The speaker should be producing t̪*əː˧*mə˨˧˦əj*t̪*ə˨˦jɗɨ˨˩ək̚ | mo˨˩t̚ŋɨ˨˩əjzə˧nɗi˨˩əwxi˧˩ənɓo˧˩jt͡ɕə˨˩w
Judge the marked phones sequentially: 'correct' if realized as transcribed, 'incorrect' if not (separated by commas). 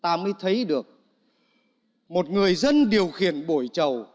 incorrect, incorrect